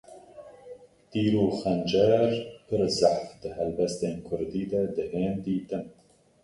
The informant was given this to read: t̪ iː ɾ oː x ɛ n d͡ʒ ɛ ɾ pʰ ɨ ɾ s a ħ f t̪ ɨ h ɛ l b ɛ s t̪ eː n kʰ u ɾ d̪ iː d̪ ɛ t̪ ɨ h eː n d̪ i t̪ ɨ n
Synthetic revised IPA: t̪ iː ɾ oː x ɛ n d͡ʒ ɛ ɾ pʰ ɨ ɾ z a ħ f d̪ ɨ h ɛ l b ɛ s t̪ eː n kʰ ʊ ɾ d̪ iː d̪ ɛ d̪ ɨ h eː n d̪ iː t̪ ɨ n